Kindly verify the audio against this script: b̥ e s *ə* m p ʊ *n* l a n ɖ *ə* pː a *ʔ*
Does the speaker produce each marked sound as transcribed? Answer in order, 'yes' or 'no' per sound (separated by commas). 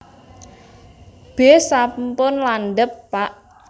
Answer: no, yes, yes, yes